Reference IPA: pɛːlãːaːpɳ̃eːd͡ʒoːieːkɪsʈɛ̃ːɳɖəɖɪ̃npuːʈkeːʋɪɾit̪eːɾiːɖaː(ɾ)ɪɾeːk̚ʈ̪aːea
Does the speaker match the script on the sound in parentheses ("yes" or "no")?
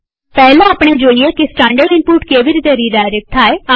no